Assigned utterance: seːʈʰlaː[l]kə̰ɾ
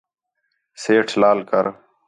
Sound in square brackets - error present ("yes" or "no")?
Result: no